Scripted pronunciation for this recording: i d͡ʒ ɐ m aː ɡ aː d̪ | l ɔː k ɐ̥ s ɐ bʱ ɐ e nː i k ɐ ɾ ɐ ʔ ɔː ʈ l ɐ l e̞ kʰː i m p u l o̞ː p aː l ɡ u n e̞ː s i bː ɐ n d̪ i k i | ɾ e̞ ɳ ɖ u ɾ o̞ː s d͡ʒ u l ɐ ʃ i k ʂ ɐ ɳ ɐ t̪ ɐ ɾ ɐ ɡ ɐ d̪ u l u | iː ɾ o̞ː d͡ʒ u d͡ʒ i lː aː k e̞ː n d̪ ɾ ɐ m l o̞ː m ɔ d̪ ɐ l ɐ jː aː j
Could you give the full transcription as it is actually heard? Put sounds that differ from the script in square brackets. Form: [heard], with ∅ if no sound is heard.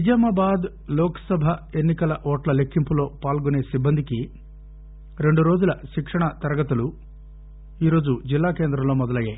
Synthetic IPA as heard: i d͡ʒ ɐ m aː [b] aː d̪ | l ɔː k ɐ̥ s ɐ bʱ ɐ e nː i k ɐ [l] ɐ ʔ ɔː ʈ l ɐ l e̞ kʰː i m p u l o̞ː p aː l ɡ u n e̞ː s i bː ɐ n d̪ i k i | ɾ e̞ ɳ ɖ u ɾ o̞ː [∅] d͡ʒ u l ɐ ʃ i k ʂ ɐ ɳ ɐ t̪ ɐ ɾ ɐ ɡ ɐ [t̪] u l u | iː ɾ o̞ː d͡ʒ u d͡ʒ i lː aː k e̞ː n d̪ ɾ ɐ m l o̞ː m ɔ d̪ ɐ l ɐ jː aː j